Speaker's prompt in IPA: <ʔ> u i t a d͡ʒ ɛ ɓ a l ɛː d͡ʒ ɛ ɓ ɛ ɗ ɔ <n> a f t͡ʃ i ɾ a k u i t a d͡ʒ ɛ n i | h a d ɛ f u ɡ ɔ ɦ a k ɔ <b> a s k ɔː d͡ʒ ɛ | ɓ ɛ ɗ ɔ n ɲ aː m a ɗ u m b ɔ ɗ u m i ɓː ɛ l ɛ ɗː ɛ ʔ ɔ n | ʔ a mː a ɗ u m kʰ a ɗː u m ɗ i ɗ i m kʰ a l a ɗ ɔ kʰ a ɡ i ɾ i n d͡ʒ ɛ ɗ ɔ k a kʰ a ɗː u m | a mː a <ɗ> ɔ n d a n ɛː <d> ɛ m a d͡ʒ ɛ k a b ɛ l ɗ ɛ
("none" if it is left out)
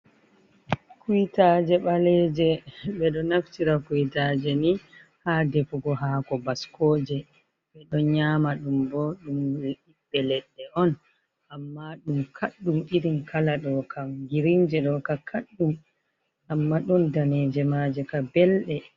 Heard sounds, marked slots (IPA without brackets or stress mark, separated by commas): k, n, b, ɗ, d͡ʒ